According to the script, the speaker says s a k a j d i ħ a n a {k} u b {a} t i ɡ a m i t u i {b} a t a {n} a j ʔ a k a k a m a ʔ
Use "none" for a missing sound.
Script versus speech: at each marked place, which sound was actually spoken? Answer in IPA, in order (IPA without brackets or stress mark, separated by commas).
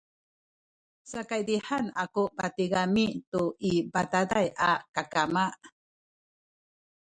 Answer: k, a, b, d